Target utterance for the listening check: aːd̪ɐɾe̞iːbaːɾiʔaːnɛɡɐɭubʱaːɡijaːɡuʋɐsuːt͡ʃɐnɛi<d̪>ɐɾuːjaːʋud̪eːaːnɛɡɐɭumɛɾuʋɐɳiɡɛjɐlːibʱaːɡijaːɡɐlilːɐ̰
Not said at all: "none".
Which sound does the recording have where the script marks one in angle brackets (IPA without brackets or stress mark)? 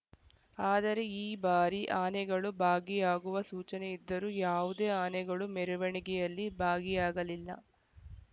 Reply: d̪ː